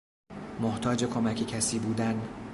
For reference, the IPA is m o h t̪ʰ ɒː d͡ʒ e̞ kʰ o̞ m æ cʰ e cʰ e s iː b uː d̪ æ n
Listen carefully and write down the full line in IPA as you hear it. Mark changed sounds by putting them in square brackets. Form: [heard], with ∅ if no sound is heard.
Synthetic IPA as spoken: m o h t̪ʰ ɒː d͡ʒ e̞ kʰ o̞ m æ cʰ e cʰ [æ] s iː b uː d̪ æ n